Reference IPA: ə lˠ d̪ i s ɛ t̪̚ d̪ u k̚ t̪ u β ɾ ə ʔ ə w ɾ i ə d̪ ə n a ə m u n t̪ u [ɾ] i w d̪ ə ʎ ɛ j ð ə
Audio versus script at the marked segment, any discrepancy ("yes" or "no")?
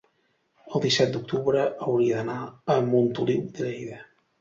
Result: yes